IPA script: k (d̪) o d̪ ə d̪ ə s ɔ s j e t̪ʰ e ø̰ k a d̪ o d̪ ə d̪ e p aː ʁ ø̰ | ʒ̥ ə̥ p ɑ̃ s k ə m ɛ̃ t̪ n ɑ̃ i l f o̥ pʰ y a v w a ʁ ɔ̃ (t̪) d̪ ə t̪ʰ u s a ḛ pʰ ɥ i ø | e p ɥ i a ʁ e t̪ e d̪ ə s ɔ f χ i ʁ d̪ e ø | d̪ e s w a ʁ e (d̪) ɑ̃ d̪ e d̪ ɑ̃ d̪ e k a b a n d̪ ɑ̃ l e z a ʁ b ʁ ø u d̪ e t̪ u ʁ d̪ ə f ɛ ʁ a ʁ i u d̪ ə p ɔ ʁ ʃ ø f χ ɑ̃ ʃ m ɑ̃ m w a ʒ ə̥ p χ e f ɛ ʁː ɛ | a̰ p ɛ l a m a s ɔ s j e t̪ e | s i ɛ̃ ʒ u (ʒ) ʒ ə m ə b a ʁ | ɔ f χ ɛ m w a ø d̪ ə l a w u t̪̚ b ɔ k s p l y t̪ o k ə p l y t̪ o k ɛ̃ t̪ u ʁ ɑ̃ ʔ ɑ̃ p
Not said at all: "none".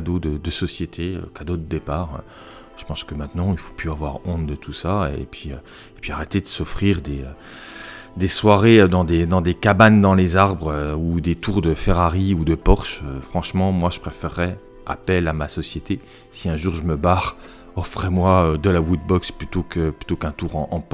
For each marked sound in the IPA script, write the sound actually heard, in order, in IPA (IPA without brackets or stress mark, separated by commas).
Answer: d̪, t̪, d̪, ʁ